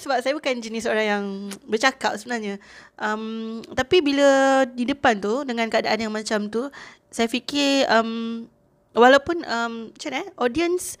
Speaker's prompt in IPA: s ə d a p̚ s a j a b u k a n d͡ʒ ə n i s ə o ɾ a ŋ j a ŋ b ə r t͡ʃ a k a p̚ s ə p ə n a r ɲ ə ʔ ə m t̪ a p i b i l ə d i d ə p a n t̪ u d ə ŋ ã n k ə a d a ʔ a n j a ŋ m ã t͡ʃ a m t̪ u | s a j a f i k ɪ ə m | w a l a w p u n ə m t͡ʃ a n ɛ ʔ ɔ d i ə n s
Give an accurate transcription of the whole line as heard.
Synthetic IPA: s ə b a p̚ s a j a b u k a n d͡ʒ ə n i s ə o ɾ a ŋ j a ŋ b ə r t͡ʃ a k a p̚ s ə b ə n a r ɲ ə ʔ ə m t̪ a p i b i l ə d i d ə p a n t̪ u d ə ŋ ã n k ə a d a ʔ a n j a ŋ m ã t͡ʃ a m t̪ u | s a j a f i k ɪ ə m | w a l a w p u n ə m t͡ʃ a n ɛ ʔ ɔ d i ə n s